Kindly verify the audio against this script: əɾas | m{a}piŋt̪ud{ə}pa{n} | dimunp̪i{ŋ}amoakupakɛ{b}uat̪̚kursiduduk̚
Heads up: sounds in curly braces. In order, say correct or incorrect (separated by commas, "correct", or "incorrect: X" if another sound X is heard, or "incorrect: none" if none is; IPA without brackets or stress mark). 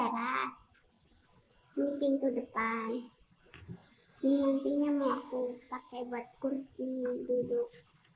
incorrect: i, correct, correct, incorrect: ɲ, correct